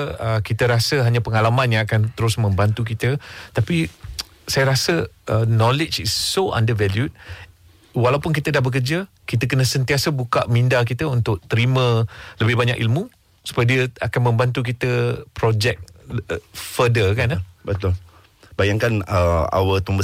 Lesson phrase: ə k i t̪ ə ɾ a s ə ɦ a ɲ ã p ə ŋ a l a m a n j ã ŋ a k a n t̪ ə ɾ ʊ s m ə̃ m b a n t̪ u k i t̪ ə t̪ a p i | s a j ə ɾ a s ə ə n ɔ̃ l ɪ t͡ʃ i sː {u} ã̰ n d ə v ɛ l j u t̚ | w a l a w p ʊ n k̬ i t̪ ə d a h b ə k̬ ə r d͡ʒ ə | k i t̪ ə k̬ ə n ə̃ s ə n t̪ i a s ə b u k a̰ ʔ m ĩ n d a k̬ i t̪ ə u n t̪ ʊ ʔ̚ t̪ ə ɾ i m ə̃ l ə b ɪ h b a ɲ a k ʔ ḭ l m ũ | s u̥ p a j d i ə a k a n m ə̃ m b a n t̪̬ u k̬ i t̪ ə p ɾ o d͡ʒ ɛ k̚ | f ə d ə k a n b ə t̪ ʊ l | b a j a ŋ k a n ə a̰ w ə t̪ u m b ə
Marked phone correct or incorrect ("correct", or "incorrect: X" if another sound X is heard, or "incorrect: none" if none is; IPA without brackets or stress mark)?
incorrect: o